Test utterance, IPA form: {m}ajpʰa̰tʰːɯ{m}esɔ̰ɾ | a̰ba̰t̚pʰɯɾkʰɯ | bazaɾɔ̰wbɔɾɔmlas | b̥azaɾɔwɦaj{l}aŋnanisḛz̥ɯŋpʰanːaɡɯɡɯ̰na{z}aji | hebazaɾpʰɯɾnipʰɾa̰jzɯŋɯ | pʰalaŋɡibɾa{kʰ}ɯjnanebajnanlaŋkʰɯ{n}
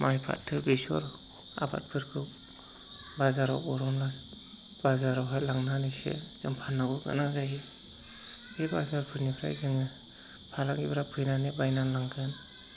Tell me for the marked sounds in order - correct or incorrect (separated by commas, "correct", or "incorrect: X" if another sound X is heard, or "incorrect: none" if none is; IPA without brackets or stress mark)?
correct, incorrect: b, correct, correct, incorrect: pʰ, correct